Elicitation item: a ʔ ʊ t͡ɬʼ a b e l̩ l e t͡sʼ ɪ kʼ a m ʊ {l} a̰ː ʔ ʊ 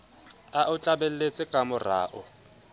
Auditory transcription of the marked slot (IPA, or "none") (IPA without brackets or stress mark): r